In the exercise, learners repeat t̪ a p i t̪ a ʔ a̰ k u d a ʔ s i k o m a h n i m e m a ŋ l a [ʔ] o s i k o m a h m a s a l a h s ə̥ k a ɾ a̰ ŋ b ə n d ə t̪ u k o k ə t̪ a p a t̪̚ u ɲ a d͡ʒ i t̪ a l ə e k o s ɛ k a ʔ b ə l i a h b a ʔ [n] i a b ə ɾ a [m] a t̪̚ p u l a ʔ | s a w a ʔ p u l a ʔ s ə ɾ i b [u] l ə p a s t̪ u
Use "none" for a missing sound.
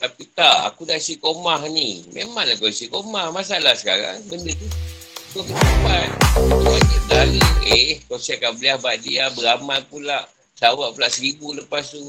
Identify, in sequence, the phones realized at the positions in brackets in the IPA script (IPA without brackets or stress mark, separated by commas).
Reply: k, d, m, u